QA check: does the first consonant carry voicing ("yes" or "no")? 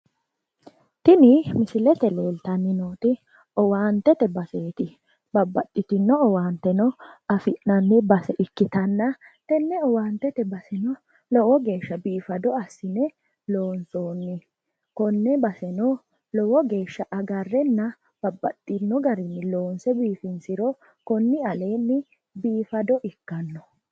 no